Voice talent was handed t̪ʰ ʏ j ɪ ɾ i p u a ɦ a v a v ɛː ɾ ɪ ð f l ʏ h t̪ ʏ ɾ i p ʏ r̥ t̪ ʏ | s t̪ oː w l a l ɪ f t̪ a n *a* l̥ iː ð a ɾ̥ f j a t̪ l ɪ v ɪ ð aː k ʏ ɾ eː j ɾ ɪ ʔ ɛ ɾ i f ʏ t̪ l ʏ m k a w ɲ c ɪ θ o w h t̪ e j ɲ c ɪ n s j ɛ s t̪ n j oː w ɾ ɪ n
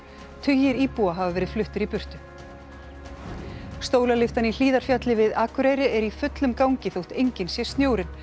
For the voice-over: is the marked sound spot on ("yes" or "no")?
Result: no